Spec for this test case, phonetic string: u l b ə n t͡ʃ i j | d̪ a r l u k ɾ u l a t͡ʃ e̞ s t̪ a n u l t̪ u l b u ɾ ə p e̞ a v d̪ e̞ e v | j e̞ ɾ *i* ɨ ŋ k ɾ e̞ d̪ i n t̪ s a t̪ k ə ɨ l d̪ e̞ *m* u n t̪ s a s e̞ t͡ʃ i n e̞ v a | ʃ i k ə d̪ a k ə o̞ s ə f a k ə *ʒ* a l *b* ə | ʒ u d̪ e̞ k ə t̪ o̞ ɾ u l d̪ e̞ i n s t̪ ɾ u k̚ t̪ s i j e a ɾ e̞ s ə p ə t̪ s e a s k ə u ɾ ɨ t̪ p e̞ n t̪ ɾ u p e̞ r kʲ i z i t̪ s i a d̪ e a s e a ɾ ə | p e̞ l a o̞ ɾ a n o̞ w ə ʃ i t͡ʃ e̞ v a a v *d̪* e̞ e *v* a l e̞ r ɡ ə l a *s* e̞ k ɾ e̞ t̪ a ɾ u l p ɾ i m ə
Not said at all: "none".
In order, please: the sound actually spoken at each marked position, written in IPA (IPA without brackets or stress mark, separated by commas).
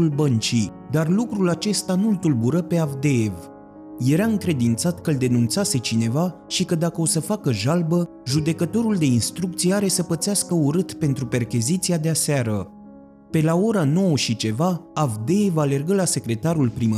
a, n, ʒ, b, d̪, v, s